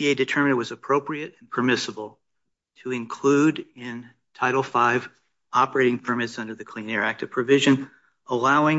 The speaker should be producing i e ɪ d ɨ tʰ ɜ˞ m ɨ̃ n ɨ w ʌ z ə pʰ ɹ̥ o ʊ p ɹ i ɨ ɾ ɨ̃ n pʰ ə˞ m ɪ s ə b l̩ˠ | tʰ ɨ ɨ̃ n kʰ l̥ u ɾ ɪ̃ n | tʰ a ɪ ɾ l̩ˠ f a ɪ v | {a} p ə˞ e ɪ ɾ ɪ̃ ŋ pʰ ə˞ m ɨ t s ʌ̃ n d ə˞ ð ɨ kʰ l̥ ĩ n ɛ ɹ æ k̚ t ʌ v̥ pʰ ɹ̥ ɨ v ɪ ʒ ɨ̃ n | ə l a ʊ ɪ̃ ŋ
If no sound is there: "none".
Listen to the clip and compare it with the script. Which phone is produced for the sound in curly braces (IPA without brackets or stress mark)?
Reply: ɑ